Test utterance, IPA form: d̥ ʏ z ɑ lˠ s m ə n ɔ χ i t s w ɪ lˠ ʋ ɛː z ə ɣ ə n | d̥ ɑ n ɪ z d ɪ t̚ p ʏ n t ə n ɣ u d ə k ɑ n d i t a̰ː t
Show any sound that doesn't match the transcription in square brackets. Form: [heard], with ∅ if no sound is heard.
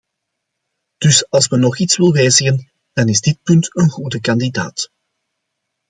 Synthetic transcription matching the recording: d̥ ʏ [s] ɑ lˠ s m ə n ɔ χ i t s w ɪ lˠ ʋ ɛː z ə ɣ ə n | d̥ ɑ n ɪ z d ɪ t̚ p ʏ n t ə n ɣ u d ə k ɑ n d i [d] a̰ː t